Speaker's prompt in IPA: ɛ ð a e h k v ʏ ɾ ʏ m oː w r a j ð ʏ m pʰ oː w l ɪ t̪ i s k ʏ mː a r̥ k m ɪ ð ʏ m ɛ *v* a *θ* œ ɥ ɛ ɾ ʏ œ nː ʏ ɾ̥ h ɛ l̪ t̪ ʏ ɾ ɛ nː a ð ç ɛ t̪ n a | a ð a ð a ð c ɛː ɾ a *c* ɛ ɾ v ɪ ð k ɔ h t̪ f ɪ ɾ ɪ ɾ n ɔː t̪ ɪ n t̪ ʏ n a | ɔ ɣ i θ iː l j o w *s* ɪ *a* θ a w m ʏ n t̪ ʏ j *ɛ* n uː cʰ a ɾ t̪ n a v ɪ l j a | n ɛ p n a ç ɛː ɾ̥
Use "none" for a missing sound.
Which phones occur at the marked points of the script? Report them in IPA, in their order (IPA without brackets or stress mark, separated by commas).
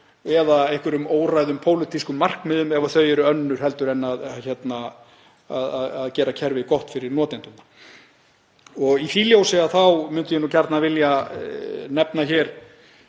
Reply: v, θ, cʰ, s, a, ɛ